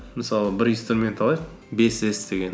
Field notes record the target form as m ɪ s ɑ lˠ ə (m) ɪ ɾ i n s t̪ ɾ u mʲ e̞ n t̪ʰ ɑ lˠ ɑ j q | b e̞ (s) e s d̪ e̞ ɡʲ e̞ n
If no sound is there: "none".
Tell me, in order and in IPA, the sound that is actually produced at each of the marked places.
b, s

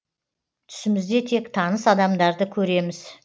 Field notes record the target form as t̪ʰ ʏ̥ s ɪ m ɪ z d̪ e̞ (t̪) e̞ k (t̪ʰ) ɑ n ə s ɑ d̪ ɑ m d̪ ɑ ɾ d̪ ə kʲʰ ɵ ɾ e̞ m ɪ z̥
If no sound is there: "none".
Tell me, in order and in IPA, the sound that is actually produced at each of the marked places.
t̪ʰ, t̪ʰ

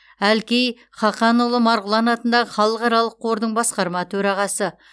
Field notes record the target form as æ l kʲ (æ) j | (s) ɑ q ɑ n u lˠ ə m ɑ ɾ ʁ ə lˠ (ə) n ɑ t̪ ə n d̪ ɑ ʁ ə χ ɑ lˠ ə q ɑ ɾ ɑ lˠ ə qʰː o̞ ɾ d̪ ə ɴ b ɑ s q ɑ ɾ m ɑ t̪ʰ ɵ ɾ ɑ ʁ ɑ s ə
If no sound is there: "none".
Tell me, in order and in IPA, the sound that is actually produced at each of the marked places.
e, χ, ɑ

